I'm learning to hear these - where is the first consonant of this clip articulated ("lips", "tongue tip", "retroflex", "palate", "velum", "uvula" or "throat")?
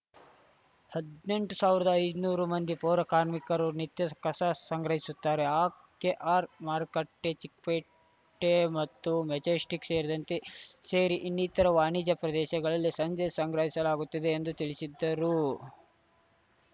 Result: throat